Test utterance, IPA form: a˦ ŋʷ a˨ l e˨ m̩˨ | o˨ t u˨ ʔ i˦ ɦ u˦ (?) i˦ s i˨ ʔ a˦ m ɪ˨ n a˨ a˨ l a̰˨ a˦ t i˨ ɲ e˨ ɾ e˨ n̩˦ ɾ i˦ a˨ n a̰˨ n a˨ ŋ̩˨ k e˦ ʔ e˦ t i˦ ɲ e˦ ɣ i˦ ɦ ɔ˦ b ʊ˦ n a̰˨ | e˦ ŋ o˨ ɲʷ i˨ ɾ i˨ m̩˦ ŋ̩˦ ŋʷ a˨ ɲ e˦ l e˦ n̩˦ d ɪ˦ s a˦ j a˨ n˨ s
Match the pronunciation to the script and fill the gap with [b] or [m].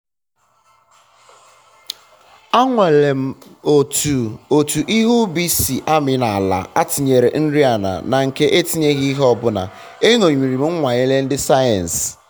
b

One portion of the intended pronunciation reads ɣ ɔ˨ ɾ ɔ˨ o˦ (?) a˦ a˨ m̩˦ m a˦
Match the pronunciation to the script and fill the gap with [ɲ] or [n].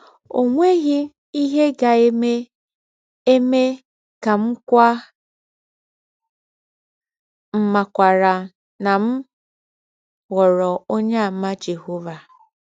ɲ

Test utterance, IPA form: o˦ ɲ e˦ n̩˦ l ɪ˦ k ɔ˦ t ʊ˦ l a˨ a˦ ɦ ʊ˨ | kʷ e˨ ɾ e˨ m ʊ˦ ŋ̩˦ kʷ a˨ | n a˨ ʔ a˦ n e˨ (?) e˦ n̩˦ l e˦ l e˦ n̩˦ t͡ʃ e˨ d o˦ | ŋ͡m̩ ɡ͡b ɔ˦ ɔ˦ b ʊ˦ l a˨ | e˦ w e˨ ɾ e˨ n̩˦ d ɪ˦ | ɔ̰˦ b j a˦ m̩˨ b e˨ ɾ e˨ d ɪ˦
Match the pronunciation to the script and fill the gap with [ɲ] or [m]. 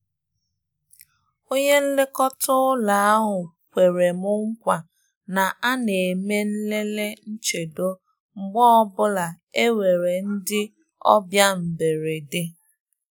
m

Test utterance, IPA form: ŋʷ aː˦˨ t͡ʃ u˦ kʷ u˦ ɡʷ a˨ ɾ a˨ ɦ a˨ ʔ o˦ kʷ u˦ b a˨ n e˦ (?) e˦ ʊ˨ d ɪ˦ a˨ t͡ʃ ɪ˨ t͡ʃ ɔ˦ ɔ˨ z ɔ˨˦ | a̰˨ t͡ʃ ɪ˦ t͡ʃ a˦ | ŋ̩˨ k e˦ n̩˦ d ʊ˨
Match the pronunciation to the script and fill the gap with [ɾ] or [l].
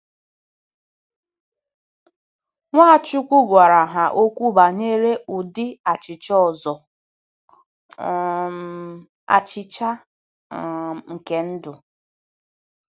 ɾ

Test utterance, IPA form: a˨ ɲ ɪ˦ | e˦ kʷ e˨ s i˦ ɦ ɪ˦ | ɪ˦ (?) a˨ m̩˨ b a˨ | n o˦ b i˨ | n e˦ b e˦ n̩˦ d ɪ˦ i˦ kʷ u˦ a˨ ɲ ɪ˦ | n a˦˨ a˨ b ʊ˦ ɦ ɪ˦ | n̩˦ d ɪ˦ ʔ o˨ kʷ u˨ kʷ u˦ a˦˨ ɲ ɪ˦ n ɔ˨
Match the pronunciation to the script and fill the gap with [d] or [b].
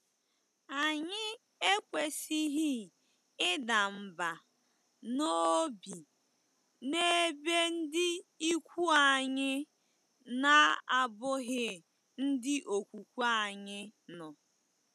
d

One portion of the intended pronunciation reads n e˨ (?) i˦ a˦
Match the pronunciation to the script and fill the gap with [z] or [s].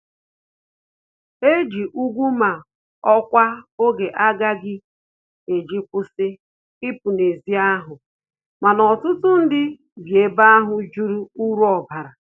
z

